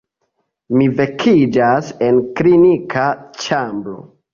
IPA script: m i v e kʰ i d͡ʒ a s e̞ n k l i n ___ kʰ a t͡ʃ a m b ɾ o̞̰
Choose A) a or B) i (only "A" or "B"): B